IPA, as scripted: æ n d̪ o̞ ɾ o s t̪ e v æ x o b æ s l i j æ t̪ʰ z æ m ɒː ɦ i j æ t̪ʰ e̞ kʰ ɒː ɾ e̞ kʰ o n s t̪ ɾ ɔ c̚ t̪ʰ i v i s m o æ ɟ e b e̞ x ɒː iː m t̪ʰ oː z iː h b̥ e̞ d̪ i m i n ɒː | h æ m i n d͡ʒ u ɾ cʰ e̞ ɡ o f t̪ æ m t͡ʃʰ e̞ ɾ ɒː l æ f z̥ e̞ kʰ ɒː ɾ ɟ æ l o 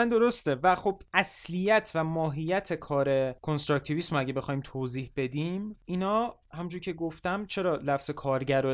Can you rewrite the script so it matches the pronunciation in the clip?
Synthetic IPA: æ n d̪ o̞ ɾ o s t̪ e v æ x o b æ s l i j æ t̪ʰ v æ m ɒː ɦ i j æ t̪ʰ e̞ kʰ ɒː ɾ e̞ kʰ o n s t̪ ɾ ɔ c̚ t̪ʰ i v i s m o æ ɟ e b e̞ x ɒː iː m t̪ʰ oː z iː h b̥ e̞ d̪ i m i n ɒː | h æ m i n d͡ʒ u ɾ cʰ e̞ ɡ o f t̪ æ m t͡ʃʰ e̞ ɾ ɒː l æ f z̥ e̞ kʰ ɒː ɾ ɟ æ ɾ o